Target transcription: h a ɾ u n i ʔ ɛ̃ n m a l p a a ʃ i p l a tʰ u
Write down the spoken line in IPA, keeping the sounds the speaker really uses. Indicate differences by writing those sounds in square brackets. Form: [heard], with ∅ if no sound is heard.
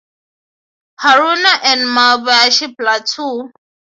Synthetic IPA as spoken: h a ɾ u n [a] ʔ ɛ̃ n m a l [b] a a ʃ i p l a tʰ u